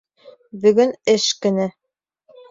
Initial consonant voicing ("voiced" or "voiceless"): voiced